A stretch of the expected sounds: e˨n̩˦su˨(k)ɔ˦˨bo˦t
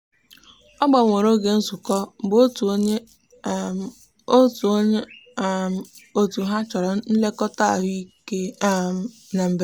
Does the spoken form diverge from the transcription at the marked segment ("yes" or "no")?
no